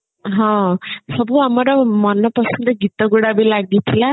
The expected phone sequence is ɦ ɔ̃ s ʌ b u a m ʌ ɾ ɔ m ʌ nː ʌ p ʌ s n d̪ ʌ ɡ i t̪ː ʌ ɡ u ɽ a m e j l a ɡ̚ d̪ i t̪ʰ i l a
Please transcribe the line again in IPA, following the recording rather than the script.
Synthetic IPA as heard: ɦ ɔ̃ s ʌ b u a m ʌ ɾ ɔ m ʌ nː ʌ p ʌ s n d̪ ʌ ɡ i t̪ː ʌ ɡ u ɽ a b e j l a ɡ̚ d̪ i t̪ʰ i l a